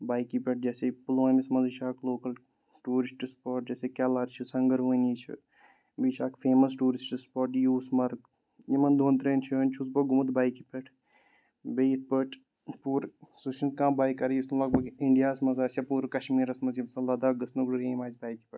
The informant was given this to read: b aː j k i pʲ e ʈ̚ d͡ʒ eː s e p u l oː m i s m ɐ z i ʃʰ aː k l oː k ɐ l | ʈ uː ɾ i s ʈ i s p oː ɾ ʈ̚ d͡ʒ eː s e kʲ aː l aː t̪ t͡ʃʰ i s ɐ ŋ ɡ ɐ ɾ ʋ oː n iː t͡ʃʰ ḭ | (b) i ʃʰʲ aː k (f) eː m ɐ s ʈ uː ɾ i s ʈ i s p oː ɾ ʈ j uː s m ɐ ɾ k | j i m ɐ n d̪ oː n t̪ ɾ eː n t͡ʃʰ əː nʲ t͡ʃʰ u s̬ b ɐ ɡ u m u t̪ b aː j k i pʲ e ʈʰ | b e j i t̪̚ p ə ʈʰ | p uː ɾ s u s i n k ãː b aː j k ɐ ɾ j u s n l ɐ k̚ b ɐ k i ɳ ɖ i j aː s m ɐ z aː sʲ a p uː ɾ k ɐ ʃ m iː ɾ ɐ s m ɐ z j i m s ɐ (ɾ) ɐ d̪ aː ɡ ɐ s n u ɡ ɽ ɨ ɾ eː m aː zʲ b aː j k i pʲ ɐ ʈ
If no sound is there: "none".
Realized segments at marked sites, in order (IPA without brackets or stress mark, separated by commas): b, f, l